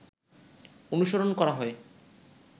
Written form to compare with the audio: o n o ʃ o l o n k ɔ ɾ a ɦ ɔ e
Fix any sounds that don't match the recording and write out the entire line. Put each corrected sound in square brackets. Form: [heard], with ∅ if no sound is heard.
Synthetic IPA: o n [u] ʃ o [ɾ] o n k ɔ ɾ a ɦ ɔ e